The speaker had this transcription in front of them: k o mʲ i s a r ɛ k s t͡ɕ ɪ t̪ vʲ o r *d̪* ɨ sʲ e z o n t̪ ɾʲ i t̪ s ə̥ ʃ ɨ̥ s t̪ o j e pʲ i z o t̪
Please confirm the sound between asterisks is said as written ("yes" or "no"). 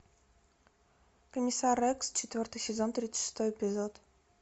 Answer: no